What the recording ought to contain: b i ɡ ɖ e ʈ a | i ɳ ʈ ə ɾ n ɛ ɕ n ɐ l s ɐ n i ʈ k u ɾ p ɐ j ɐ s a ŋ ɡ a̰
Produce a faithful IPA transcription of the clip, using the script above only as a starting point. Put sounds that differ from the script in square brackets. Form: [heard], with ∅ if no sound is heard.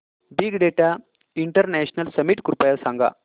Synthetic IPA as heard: b i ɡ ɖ e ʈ a | i ɳ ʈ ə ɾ n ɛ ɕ n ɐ l s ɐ [m] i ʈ k u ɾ p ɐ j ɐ s a ŋ ɡ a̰